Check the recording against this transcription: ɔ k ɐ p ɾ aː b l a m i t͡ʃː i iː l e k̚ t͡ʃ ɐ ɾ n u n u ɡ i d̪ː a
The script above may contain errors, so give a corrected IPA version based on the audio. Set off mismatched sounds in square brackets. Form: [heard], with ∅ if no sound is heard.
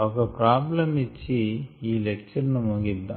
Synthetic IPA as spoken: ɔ k ɐ p ɾ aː b l [ɐ] m i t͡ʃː i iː l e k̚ t͡ʃ ɐ ɾ n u [m] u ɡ i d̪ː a